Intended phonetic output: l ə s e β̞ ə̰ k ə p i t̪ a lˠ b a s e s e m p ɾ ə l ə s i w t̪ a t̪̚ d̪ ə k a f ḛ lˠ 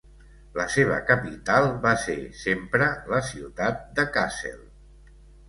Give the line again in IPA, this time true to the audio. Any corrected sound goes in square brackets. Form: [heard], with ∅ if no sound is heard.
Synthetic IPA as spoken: l ə s e β̞ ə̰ k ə p i t̪ a lˠ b a s e s e m p ɾ ə l ə s i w t̪ a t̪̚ d̪ ə k a [s] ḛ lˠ